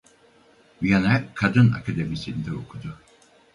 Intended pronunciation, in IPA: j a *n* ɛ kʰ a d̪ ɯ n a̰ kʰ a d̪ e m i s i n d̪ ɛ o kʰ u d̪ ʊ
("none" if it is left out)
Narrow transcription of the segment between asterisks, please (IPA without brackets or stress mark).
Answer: n